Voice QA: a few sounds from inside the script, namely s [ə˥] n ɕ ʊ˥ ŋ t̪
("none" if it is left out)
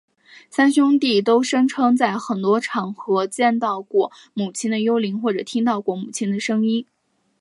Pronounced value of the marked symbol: a˥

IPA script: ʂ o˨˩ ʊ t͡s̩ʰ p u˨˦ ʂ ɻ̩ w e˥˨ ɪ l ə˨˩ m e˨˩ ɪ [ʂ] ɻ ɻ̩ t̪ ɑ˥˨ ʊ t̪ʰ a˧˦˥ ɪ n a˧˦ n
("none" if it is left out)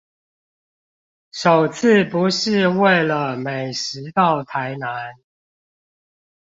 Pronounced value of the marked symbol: ʂ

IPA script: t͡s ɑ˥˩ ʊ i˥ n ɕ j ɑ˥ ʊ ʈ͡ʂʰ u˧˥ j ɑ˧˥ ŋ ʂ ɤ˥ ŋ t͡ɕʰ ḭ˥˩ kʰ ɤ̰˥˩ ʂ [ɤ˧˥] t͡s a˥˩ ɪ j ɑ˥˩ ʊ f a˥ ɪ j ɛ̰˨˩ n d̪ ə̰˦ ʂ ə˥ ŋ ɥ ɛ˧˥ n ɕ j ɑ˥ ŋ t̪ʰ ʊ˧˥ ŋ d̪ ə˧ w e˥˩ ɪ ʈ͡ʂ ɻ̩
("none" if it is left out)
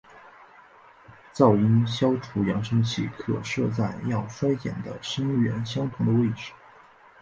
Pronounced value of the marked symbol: ɤ˥˧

